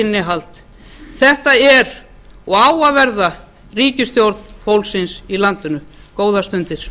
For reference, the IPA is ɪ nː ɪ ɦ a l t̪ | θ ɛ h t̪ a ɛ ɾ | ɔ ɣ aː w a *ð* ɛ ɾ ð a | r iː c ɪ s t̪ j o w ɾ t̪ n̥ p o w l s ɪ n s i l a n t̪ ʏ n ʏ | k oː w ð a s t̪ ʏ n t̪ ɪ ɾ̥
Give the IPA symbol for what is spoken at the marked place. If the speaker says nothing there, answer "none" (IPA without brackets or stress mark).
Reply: v